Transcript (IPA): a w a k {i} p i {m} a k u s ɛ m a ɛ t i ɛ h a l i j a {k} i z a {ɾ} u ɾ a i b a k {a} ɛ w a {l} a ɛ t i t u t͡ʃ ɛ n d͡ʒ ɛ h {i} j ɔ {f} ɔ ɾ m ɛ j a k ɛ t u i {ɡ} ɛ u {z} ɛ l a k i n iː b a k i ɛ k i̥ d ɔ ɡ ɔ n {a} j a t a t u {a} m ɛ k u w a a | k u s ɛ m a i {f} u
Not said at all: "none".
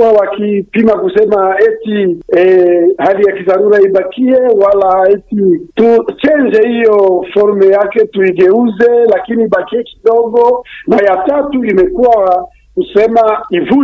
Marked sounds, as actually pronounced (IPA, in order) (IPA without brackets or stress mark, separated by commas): i, m, k, ɾ, i, l, i, f, ɡ, z, a, i, v